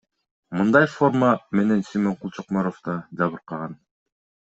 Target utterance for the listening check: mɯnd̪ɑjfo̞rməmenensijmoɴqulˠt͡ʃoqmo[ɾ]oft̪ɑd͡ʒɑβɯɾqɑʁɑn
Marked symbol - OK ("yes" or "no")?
yes